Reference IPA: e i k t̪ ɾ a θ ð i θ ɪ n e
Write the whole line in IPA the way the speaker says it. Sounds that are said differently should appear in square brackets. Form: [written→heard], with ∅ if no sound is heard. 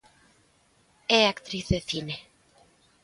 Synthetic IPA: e [i→a] k t̪ ɾ [a→i] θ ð [i→e] θ [ɪ→i] n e

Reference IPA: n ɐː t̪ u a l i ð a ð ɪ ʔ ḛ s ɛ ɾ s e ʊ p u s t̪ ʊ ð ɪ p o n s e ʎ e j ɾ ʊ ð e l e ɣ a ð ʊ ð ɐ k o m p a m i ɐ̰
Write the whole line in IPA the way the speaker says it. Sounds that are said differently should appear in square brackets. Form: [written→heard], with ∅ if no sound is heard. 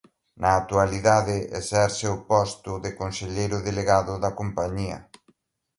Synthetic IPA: n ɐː t̪ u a l i ð a ð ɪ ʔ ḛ s ɛ ɾ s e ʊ p [u→ɔ] s t̪ ʊ ð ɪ [p→k] o n s e ʎ e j ɾ ʊ ð e l e ɣ a ð ʊ ð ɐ k o m p a [m→ɲ] i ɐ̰

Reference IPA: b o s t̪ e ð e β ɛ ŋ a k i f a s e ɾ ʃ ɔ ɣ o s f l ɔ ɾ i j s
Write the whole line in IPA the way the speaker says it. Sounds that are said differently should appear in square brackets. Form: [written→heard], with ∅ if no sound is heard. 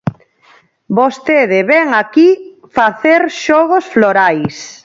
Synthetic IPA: b o s t̪ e ð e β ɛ ŋ a k i f a [s→θ] e ɾ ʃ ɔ ɣ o s f l [ɔ→o] ɾ [i→a] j s

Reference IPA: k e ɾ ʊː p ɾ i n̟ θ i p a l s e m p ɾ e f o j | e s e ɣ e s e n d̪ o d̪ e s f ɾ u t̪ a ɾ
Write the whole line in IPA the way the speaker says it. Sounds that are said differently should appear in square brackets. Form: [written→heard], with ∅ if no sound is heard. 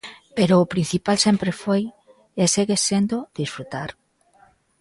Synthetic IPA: [k→p] e ɾ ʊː p ɾ i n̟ θ i p a l s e m p ɾ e f o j | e s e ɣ e s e n d̪ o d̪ [e→i] s f ɾ u t̪ a ɾ

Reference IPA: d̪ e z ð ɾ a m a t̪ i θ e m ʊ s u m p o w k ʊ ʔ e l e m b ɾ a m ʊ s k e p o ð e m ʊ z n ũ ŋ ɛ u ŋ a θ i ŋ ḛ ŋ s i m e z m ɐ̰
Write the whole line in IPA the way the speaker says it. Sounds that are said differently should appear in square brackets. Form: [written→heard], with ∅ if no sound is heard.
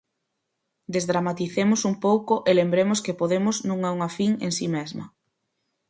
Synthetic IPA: d̪ e z ð ɾ a m a t̪ i θ e m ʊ s u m p o w k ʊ ʔ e l e m b ɾ [a→e] m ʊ s k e p o ð e m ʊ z n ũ ŋ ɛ u ŋ a [θ→f] i ŋ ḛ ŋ s i m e z m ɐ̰

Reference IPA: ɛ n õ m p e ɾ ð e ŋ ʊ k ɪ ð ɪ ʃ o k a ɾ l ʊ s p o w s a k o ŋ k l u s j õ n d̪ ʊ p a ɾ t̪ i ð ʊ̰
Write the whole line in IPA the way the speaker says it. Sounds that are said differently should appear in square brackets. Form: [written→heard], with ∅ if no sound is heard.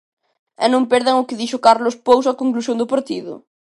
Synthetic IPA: ɛ n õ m p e ɾ ð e ŋ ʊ k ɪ ð [ɪ→i] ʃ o k a ɾ l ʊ s p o w s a k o ŋ k l u s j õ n d̪ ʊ p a ɾ t̪ i ð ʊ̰

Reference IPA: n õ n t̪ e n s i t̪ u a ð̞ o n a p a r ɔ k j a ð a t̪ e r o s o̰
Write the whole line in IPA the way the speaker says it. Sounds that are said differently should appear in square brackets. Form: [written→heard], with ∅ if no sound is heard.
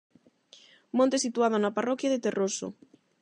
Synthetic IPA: [n→m] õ n t̪ e [n→∅] s i t̪ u a ð̞ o n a p a r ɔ k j a ð [a→e] t̪ e r o s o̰

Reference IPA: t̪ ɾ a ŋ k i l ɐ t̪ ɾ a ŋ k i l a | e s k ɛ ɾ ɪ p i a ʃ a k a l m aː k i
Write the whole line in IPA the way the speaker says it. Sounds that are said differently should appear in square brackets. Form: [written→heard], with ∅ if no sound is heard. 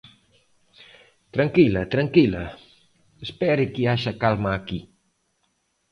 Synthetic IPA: t̪ ɾ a ŋ k i l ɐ t̪ ɾ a ŋ k i l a | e s [k→p] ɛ ɾ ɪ [p→k] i a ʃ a k a l m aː k i

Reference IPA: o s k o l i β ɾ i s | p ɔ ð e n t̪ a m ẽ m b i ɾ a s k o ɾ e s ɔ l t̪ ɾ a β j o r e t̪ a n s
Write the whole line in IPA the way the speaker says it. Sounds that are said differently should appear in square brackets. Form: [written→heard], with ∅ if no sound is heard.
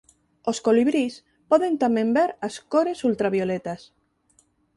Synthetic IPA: o s k o l i β ɾ i s | p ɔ ð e n t̪ a m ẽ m b [i→e] ɾ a s k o ɾ e s [ɔ→u] l t̪ ɾ a β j o [r→l] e t̪ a [n→∅] s

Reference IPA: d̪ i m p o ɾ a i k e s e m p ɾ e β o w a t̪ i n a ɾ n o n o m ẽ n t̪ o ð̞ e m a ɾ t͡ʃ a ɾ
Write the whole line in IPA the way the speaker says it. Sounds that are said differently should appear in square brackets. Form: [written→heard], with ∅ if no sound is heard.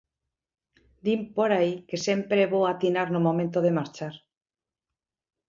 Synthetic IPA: d̪ i m p o ɾ a i k e s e m p ɾ e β o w a t̪ i n a ɾ n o [n→m] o m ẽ n t̪ o ð̞ e m a ɾ t͡ʃ a ɾ

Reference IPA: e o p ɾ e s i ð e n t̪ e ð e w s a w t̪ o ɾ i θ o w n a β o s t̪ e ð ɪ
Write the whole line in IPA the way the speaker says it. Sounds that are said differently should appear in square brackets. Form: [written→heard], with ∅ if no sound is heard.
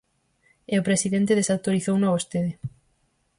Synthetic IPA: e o p ɾ e s i ð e n t̪ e ð e [w→∅] s a w t̪ o ɾ i θ o w n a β o s t̪ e ð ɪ

